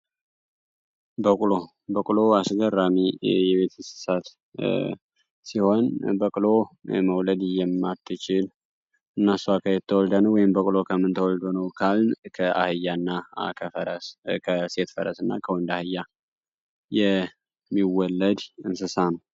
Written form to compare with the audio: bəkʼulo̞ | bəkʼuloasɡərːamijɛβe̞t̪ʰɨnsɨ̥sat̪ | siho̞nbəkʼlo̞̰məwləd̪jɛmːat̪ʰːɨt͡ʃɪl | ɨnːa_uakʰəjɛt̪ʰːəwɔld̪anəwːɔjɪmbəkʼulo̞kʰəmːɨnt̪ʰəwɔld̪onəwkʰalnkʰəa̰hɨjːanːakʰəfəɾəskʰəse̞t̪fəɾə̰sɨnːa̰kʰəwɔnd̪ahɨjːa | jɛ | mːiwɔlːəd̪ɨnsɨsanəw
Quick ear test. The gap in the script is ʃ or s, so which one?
s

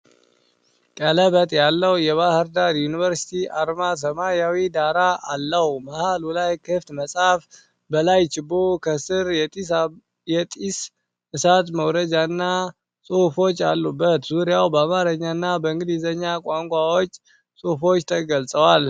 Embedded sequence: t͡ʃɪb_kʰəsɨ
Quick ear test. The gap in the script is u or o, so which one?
o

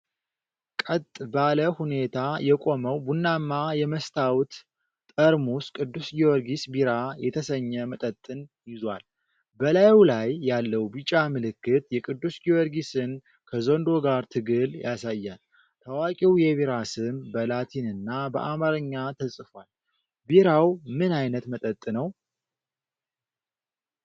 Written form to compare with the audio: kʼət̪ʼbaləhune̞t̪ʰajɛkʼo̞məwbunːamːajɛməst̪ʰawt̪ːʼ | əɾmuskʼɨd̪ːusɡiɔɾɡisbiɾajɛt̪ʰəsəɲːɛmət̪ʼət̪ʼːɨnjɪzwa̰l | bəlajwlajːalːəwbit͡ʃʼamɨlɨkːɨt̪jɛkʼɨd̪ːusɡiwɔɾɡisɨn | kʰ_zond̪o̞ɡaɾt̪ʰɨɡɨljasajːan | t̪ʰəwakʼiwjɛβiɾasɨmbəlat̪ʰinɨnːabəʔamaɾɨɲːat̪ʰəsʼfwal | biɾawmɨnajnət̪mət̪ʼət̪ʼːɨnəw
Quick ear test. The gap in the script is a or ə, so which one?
ə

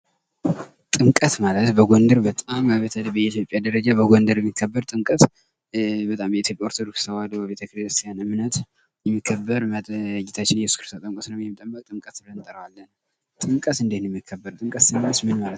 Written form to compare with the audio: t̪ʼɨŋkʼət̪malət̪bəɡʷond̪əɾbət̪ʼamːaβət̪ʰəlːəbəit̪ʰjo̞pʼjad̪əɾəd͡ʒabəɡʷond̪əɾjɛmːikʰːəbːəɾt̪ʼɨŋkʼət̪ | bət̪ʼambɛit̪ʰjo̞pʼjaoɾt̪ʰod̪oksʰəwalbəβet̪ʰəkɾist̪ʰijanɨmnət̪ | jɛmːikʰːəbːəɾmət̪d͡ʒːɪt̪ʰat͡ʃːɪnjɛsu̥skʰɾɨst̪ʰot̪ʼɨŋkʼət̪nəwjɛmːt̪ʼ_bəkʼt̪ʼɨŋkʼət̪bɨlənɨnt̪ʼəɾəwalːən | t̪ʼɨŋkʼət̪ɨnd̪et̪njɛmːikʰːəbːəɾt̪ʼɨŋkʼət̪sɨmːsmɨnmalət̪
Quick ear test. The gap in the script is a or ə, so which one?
ə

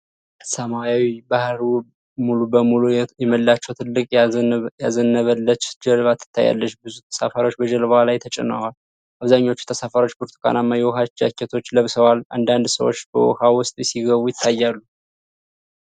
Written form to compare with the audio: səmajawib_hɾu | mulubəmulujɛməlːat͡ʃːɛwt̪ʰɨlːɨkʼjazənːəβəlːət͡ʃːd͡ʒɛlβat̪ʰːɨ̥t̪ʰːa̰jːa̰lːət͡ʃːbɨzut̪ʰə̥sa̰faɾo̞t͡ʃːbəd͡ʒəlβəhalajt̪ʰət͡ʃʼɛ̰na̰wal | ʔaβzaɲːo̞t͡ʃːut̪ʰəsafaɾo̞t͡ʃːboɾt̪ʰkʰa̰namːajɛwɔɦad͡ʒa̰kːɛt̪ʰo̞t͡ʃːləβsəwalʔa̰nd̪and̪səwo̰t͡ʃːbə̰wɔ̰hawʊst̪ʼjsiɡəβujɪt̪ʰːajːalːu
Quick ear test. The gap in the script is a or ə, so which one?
a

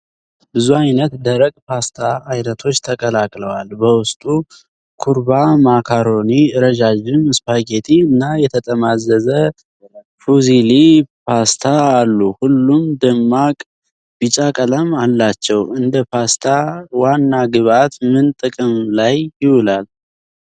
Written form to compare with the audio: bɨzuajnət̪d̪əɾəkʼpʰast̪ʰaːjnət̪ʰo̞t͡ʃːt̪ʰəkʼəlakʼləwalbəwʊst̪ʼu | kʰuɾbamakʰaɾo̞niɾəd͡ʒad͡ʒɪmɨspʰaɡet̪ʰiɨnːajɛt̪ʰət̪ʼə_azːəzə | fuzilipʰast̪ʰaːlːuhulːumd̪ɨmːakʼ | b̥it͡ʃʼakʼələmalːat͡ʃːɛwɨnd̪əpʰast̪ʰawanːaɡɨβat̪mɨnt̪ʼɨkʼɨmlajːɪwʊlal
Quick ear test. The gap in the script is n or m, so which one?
m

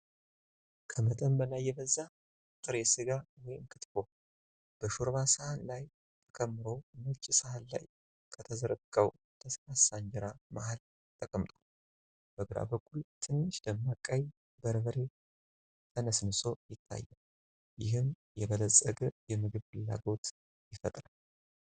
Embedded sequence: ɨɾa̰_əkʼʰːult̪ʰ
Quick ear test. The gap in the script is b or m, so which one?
b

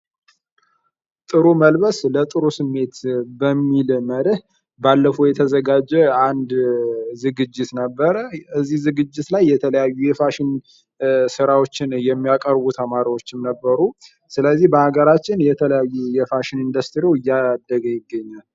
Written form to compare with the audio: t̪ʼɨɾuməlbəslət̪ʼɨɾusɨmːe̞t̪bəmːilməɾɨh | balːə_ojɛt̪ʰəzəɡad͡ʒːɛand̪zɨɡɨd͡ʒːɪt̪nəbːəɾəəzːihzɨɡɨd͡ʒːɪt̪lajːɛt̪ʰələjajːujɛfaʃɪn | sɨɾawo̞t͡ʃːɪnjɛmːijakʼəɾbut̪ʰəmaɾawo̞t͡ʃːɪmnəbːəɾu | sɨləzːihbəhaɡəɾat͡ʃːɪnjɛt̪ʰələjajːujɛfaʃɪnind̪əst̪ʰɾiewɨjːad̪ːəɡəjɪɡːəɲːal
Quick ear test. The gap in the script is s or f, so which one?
f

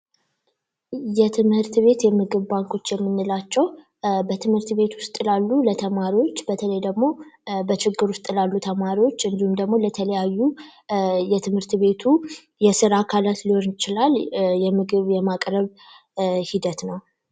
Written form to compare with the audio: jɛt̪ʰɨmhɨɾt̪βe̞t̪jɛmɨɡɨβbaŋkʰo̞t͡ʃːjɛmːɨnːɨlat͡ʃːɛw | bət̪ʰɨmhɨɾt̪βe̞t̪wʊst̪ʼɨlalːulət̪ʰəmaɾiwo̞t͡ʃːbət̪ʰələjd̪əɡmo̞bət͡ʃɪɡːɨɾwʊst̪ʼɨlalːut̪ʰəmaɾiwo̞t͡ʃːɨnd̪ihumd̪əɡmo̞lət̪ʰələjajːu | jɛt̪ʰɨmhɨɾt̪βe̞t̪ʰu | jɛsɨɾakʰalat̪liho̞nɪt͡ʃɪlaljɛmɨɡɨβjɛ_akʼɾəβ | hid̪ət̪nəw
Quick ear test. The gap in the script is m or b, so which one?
m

